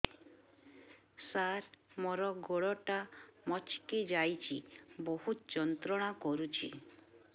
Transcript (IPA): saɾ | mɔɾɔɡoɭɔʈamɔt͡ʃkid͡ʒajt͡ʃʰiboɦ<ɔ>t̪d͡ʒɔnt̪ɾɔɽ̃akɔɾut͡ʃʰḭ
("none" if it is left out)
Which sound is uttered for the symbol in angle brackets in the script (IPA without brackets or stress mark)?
u